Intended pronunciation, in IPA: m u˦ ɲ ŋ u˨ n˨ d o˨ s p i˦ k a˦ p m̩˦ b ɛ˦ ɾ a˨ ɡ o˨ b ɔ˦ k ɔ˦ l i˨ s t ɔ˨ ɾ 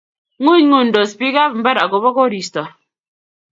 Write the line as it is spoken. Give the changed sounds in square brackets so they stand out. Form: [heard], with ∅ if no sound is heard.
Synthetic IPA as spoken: [ŋ] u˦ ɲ ŋ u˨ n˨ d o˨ s p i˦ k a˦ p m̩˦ b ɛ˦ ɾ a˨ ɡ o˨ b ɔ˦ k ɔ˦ [ɾ] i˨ s t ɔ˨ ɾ